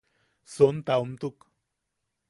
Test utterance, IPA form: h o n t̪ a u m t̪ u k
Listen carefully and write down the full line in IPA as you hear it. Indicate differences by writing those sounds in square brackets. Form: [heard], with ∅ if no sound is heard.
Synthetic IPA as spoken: [s] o n t̪ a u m t̪ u k